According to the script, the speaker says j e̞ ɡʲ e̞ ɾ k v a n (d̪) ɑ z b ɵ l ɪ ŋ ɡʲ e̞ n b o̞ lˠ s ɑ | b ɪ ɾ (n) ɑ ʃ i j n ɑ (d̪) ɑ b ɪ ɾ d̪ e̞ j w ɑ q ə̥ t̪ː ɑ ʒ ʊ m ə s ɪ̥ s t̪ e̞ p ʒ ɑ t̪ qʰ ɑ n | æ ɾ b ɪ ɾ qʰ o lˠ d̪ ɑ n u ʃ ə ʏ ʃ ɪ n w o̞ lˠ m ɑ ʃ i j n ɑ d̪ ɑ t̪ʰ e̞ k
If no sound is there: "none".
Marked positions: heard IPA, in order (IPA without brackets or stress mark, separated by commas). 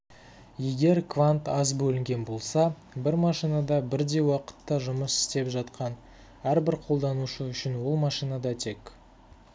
t̪, m, d̪